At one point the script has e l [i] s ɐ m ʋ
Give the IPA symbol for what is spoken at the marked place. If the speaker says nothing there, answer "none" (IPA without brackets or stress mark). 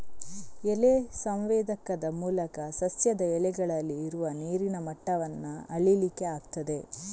e